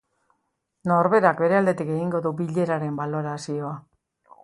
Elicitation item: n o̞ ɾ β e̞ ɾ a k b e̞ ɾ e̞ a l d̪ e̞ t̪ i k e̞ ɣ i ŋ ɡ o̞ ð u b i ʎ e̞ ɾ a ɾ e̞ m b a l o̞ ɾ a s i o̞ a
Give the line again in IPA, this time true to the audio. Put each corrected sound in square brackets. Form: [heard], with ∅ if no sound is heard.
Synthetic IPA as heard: n o̞ ɾ β e̞ ɾ a k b e̞ ɾ e̞ a l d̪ e̞ t̪ i k e̞ ɣ i ŋ ɡ o̞ ð u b i ʎ e̞ ɾ a ɾ e̞ m b a l o̞ ɾ a s i o̞ a